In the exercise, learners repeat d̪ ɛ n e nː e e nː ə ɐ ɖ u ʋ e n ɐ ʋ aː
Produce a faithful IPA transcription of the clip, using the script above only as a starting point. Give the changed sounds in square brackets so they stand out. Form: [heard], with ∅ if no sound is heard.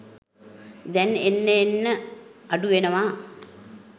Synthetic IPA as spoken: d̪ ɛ n e nː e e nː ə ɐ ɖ u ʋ e n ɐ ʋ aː